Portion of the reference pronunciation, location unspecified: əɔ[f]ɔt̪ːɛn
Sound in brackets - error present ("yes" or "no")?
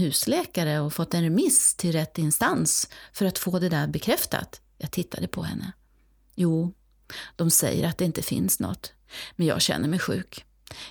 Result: no